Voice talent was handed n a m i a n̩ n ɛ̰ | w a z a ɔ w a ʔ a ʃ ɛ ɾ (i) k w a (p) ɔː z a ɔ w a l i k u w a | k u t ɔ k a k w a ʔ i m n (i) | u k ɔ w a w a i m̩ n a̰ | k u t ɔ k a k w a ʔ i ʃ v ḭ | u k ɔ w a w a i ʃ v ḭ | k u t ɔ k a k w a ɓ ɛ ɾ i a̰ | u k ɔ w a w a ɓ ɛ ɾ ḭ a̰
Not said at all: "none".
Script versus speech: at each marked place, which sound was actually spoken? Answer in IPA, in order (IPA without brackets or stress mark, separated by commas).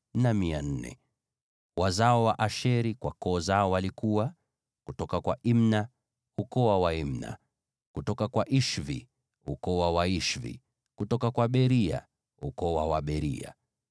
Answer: i, k, a